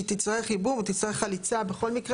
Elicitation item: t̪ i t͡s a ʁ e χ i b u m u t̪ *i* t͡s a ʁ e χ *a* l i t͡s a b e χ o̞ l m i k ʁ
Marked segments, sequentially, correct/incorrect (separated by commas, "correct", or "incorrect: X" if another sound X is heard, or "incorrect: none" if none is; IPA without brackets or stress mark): correct, correct